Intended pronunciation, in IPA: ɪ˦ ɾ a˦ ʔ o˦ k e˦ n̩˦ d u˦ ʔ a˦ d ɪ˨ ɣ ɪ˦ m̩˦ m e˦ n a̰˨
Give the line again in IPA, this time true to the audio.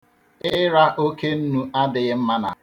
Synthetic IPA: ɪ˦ ɾ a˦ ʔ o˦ k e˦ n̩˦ n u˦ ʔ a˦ d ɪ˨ ɣ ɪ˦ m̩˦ m a˦ n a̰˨